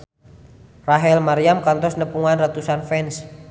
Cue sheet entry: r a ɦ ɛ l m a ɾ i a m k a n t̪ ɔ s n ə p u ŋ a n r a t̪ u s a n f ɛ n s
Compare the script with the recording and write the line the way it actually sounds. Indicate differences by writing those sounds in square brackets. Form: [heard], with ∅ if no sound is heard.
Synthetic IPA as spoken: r a ɦ ɛ l m a ɾ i a m k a n t̪ ɔ s n ə p u ŋ a n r a t̪ u s a n f ɛ n s

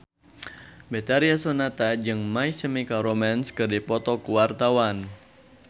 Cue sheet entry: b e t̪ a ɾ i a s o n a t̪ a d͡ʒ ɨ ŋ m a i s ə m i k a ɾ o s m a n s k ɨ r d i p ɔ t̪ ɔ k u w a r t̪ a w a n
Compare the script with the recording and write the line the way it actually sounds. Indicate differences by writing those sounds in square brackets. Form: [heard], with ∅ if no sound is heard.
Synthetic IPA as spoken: b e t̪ a ɾ i a s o n a t̪ a d͡ʒ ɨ ŋ m a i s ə m i k a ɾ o [∅] m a n s k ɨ r d i p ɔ t̪ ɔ k u w a r t̪ a w a n

